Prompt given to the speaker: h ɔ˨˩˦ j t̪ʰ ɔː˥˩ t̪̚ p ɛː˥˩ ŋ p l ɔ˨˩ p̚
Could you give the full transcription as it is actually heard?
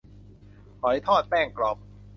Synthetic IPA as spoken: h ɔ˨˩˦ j t̪ʰ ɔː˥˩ t̪̚ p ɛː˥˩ ŋ k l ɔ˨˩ p̚

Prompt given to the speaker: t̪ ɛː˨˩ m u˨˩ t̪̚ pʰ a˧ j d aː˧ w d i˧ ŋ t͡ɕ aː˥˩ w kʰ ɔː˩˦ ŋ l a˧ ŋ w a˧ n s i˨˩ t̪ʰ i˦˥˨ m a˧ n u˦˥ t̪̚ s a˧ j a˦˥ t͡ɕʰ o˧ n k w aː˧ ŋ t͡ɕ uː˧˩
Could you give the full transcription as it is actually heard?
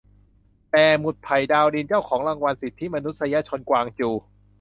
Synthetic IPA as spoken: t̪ ɛː˨˩ m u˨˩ t̪̚ pʰ a˨˩ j d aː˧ w d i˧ n t͡ɕ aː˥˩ w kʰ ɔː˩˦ ŋ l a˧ ŋ w a˧ n s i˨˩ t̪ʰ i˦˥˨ m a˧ n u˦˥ t̪̚ s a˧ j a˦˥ t͡ɕʰ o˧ n k w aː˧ ŋ t͡ɕ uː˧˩

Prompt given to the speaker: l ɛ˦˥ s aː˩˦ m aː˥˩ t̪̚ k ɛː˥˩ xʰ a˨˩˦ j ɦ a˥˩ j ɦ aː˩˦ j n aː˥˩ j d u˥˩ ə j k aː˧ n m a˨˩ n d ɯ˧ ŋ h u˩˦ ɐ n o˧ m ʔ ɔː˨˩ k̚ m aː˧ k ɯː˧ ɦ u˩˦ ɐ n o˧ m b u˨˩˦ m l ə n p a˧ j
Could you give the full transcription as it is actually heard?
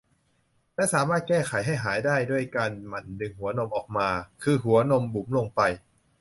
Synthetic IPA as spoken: l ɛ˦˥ s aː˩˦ m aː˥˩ t̪̚ k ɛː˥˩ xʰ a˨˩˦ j ɦ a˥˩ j ɦ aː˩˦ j d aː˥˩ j d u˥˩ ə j k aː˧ n m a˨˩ n d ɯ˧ ŋ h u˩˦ ɐ n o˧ m ʔ ɔː˨˩ k̚ m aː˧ kʰ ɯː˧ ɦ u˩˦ ɐ n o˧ m b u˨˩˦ m l ə ŋ p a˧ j

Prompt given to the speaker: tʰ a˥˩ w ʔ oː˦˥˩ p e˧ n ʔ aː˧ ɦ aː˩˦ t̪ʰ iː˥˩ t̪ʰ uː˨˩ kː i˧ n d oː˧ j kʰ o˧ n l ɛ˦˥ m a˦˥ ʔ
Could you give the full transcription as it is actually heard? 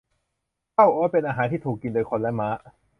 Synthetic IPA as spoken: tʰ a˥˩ w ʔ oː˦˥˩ p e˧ n ʔ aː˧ ɦ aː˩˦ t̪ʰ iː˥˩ t̪ʰ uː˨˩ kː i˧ n d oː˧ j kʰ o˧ n l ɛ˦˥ m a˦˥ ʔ

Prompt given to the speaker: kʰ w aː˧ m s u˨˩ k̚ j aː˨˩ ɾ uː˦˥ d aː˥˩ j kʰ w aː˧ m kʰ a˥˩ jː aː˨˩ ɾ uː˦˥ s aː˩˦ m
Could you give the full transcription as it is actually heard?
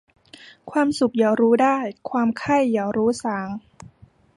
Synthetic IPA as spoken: kʰ w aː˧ m s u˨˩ k̚ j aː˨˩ ɾ uː˦˥ d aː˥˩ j kʰ w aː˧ m kʰ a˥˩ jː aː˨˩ ɾ uː˦˥ s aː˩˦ ŋ

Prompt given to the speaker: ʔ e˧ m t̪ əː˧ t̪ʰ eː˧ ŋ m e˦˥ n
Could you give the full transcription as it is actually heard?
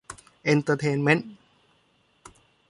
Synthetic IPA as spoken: ʔ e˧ n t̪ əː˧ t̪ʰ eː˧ n m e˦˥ n

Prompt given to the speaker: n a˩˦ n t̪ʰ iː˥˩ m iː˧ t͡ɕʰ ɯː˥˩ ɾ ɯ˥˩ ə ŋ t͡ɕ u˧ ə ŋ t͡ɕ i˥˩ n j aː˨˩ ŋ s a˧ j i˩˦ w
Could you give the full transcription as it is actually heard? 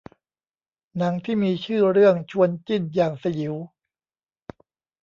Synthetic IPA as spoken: n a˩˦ ŋ t̪ʰ iː˥˩ m iː˧ t͡ɕʰ ɯː˥˩ ɾ ɯ˥˩ ə ŋ t͡ɕʰ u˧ ə n t͡ɕ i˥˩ n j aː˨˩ ŋ s a˧ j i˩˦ w

